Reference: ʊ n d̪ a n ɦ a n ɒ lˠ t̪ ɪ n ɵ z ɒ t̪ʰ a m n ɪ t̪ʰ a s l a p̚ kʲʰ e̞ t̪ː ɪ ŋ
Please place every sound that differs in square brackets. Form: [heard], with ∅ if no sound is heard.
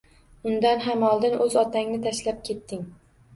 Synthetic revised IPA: ʊ n d̪ a n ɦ a [m] ɒ lˠ [d̪] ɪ n ɵ z ɒ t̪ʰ a [ŋ] n ɪ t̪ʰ a [ʃ] l a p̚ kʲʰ e̞ t̪ː ɪ ŋ